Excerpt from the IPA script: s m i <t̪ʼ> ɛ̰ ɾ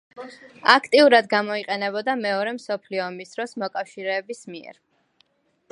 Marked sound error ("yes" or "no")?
yes